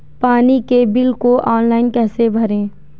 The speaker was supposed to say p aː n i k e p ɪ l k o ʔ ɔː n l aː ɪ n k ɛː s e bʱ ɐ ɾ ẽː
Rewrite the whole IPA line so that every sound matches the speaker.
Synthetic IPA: p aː n i k e b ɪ l k o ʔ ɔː n l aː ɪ n k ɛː s e bʱ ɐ ɾ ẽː